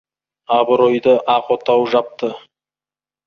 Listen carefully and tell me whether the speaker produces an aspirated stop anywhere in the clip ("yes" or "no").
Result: no